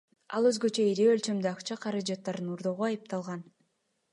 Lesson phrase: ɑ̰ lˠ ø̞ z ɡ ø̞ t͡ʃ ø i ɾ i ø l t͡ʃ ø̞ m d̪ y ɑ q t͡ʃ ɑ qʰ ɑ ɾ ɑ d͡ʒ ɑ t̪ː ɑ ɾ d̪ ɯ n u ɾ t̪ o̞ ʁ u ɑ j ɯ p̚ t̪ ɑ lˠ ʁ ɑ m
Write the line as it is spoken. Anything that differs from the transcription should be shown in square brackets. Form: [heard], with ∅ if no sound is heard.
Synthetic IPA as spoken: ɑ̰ lˠ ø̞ z ɡ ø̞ t͡ʃ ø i ɾ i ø l t͡ʃ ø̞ m d̪ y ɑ q t͡ʃ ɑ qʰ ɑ ɾ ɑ d͡ʒ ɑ t̪ː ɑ ɾ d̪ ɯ n u ɾ [d̪] o̞ ʁ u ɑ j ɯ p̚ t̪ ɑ lˠ ʁ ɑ [n]